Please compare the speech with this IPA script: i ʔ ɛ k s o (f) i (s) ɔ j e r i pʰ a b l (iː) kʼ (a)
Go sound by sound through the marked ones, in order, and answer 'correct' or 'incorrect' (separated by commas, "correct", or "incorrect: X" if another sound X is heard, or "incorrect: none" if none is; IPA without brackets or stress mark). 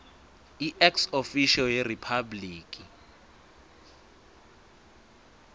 correct, incorrect: ʃ, correct, incorrect: i